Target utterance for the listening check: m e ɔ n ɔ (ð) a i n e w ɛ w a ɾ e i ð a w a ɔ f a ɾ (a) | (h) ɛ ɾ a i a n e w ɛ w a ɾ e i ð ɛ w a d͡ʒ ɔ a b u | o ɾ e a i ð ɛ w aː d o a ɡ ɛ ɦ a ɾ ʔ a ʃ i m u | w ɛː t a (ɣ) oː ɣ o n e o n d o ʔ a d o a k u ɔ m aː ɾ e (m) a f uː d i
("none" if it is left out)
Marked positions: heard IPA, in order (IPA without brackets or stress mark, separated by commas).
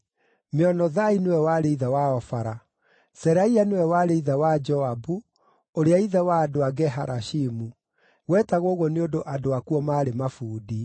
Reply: ð, a, s, ɣ, m